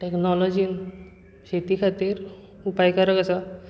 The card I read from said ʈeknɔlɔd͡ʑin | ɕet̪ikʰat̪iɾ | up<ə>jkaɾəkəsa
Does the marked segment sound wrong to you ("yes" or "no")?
yes